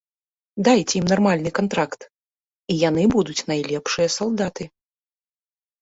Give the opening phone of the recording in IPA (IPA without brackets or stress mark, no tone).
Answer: d̪